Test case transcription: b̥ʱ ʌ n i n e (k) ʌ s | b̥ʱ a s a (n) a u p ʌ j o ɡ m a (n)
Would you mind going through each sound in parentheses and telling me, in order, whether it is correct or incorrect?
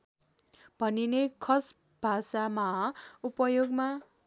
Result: incorrect, incorrect, incorrect

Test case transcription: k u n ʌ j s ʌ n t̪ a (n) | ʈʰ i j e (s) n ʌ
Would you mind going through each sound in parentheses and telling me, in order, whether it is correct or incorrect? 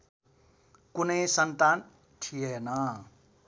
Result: correct, incorrect

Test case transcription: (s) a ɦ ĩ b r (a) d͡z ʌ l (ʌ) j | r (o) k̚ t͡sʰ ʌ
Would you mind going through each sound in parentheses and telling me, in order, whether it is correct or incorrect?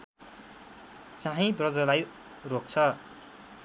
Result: incorrect, incorrect, incorrect, correct

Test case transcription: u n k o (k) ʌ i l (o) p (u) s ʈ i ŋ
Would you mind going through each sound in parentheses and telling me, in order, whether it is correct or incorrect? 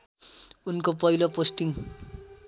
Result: incorrect, correct, incorrect

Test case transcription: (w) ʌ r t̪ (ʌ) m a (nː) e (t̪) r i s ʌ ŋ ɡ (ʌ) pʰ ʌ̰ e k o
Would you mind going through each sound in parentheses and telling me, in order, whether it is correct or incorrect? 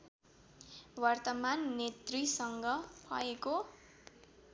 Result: correct, correct, correct, correct, correct

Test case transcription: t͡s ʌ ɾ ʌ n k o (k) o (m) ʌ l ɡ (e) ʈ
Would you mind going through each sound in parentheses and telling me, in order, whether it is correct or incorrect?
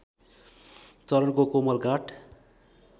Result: correct, correct, incorrect

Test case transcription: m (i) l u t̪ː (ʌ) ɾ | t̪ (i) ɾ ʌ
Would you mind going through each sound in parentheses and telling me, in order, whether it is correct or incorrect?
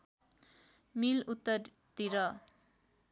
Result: correct, correct, correct

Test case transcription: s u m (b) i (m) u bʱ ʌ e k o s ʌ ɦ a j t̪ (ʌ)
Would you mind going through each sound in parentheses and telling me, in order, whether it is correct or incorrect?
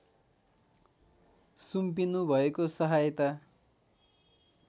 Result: incorrect, incorrect, incorrect

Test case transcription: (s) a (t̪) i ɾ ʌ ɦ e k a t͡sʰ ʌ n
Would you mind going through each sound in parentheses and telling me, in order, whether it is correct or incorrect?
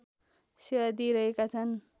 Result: correct, incorrect

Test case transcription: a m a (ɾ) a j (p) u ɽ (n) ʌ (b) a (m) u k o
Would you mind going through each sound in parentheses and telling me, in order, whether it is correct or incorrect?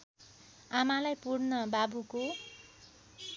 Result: incorrect, correct, correct, correct, incorrect

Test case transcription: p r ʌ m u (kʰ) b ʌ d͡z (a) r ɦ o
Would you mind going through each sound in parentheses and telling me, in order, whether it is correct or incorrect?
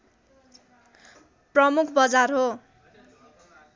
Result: correct, correct

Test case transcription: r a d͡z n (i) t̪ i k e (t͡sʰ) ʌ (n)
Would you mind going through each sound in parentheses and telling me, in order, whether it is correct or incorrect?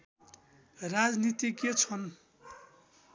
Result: correct, correct, correct

